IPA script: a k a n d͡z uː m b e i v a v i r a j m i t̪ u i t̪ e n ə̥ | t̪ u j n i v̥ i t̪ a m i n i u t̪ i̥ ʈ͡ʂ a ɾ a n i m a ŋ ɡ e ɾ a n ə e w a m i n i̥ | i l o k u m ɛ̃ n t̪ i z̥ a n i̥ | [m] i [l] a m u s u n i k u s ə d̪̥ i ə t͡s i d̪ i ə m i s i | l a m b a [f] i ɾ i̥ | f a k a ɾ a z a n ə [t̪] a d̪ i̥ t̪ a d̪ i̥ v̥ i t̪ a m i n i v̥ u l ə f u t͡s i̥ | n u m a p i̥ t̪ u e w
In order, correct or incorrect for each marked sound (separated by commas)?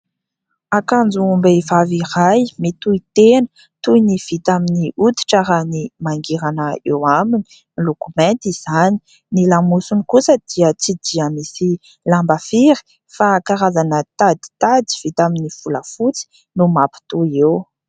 incorrect, correct, correct, correct